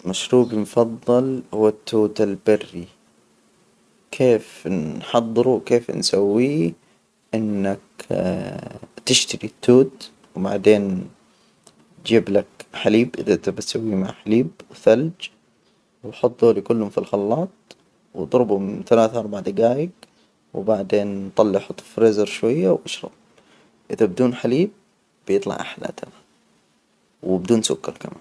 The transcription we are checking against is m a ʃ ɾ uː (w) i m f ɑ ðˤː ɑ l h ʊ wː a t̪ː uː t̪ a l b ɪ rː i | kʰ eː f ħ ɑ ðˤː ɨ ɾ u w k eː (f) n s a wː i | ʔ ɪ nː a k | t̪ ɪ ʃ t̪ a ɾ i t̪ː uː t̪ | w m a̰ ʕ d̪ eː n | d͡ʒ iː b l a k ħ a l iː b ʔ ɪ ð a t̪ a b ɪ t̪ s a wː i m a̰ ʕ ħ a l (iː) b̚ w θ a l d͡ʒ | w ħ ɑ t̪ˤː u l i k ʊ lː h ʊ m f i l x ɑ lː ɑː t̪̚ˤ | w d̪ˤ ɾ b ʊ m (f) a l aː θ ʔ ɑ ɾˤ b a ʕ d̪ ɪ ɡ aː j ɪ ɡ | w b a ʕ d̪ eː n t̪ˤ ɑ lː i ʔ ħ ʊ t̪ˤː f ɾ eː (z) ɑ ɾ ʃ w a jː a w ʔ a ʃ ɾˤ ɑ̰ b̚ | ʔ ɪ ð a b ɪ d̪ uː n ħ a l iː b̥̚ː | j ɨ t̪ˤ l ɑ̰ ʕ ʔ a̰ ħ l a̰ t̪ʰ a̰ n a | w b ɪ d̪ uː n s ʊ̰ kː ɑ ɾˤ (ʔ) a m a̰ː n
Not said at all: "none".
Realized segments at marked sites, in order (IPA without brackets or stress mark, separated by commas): b, f, iː, θ, z, k